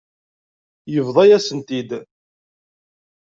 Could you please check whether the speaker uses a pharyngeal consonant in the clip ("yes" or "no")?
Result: no